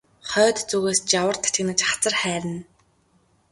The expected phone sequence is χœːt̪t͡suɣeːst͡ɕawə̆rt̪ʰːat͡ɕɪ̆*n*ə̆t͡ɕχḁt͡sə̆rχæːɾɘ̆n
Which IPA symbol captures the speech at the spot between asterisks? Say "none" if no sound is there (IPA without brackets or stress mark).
n